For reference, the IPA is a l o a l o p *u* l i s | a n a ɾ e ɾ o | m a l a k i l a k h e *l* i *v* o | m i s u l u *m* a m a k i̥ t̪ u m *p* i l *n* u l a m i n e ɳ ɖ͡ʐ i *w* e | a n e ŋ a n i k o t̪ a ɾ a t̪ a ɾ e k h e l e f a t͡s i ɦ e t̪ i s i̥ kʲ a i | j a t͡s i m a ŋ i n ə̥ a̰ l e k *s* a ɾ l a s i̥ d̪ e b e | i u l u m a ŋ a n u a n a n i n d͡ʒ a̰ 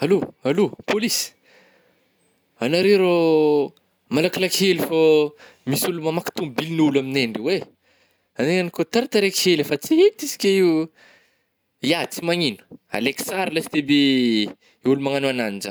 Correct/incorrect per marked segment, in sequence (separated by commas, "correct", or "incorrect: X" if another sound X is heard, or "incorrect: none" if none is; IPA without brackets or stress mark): incorrect: o, correct, incorrect: f, correct, incorrect: b, correct, correct, correct